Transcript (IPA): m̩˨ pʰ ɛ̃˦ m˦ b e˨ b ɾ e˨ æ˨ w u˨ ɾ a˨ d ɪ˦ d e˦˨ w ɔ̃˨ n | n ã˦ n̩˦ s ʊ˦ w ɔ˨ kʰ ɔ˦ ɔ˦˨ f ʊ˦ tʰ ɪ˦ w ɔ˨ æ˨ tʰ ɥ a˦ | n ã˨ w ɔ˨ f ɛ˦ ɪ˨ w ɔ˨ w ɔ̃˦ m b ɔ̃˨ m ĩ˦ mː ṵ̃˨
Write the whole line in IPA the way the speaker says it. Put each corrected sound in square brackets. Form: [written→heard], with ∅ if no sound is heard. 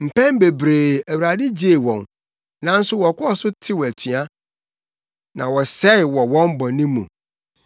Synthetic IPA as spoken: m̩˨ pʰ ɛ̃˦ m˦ b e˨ b ɾ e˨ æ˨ w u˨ ɾ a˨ d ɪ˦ [d→d͡ʑ] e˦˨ w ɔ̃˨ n | n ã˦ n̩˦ s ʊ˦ w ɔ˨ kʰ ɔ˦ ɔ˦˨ [f→s] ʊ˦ tʰ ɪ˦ w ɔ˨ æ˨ tʰ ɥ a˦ | n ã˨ w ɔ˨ [f→s] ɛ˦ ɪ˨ w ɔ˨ w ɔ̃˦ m b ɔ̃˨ [m→n] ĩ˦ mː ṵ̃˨

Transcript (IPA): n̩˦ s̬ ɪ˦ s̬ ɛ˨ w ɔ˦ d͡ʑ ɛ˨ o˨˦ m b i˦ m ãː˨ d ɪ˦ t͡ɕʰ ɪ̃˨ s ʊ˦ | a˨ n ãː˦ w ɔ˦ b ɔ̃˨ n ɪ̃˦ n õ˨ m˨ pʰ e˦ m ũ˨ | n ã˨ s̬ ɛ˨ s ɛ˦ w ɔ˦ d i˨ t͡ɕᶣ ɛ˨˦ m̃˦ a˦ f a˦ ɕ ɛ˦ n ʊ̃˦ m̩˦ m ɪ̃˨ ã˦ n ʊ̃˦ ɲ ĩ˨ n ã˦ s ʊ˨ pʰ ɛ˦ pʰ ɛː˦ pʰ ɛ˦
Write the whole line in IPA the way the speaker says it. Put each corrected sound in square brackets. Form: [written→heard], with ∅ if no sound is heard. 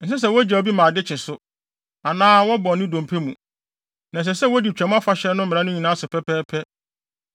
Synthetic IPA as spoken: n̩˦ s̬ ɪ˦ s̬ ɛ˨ w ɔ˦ d͡ʑ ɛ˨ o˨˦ [m→∅] b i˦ m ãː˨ d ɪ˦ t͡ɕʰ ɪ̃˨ s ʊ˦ | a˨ n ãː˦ w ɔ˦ b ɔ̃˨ n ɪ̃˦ [n→d] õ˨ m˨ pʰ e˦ m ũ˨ | n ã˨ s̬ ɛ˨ s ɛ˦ w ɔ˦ d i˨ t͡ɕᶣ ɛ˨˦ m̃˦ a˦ f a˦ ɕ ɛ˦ n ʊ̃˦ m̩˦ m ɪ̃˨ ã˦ n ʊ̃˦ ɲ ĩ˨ n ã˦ s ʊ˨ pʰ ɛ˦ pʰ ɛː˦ pʰ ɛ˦

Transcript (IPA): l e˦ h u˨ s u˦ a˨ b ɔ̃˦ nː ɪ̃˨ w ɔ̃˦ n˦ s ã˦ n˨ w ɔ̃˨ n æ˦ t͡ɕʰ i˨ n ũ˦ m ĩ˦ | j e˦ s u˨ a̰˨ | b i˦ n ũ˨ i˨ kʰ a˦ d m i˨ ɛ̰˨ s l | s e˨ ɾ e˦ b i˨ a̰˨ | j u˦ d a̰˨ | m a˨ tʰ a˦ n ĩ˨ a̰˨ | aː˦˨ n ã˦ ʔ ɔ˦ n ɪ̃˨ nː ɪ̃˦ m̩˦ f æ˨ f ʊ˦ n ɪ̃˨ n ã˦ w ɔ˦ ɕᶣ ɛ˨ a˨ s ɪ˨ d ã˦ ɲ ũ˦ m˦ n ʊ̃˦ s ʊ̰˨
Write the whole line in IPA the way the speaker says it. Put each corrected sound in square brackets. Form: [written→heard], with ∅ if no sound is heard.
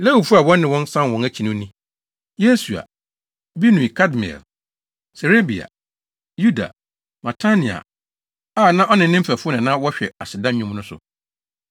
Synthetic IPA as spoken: l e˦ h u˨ [s→f] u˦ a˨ [b→w] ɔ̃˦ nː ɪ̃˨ w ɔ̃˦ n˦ s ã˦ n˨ w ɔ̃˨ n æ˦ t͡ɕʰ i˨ n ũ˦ [m→n] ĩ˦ | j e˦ s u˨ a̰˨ | b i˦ n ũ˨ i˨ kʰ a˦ d m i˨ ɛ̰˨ [s→∅] l | s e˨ ɾ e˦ b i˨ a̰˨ | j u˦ d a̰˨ | m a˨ tʰ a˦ n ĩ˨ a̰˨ | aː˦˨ n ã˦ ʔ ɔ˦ n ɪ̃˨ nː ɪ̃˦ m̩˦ f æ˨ f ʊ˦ n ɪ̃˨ n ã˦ w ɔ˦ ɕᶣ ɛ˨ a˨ s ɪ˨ d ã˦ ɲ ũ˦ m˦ n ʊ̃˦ s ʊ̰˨

